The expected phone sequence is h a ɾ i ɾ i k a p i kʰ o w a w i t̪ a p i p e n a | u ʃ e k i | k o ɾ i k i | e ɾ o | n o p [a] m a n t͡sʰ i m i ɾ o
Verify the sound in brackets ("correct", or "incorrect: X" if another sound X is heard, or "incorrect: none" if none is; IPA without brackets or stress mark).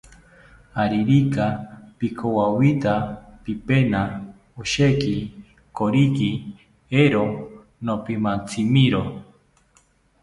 incorrect: i